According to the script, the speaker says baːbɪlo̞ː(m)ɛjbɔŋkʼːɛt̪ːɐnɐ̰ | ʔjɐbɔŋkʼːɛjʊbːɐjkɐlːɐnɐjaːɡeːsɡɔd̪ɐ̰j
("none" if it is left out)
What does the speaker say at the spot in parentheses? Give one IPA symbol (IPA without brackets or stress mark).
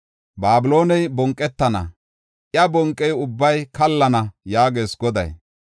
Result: n